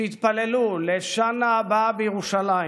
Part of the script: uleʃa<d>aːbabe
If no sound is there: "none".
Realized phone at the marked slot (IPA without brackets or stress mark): n